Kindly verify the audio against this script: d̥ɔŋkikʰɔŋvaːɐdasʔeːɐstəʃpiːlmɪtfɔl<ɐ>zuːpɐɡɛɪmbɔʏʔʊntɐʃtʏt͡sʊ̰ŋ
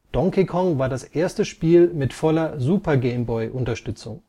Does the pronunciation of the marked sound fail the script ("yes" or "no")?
no